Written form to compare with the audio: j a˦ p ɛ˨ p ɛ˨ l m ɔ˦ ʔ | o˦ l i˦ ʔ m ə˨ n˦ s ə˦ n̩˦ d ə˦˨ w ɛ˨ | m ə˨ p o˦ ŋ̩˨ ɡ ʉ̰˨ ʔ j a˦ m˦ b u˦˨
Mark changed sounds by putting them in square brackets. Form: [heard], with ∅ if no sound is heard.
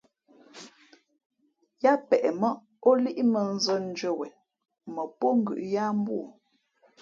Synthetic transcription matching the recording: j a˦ p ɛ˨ [ʔ] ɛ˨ [∅] m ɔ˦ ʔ | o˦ l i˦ ʔ m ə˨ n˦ [z] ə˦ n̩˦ [d͡ʒ] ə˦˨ w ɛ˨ | m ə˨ p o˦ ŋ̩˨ ɡ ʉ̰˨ ʔ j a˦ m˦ b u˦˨